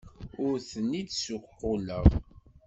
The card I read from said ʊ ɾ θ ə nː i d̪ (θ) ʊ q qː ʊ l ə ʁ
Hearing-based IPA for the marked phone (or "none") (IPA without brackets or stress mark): s